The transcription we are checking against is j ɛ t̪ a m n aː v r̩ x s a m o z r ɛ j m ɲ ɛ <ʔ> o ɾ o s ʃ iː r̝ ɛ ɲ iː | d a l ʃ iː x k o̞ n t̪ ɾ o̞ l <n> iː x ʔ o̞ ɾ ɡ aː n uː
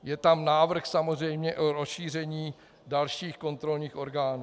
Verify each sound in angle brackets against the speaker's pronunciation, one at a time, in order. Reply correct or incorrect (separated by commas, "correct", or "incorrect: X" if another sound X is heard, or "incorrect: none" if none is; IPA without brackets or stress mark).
correct, incorrect: ɲ